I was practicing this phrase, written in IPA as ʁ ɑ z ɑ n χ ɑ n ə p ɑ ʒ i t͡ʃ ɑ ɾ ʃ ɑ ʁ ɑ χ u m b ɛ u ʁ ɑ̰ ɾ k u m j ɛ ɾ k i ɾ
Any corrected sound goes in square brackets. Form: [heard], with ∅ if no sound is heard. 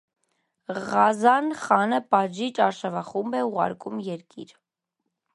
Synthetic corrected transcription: ʁ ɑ z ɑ n χ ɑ n ə p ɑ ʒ i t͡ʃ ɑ ɾ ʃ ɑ [v] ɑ χ u m b ɛ u ʁ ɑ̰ ɾ k u m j ɛ ɾ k i ɾ